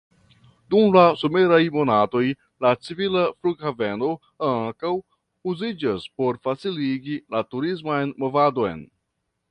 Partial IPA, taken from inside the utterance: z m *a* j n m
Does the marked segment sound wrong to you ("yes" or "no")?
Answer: no